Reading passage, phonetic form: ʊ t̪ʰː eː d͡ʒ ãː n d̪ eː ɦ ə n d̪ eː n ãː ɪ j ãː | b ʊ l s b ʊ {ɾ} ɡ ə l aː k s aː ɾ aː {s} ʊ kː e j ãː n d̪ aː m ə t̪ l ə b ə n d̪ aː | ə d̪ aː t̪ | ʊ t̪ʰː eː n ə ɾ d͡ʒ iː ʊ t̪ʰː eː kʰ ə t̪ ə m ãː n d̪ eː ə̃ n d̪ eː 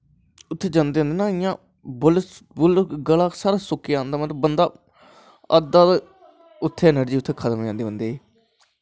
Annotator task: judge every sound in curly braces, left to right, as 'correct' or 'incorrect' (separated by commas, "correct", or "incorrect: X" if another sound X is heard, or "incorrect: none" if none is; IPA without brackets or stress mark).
incorrect: l, correct